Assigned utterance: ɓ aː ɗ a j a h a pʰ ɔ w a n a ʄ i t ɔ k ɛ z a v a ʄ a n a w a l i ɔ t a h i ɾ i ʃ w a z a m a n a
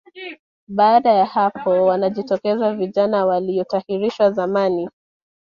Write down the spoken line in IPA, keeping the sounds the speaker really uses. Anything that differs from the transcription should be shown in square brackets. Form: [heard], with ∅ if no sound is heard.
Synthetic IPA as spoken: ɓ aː ɗ a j a h a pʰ ɔ w a n a ʄ i t ɔ k ɛ z a v [i] ʄ a n a w a l i ɔ t a h i ɾ i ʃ w a z a m a n [i]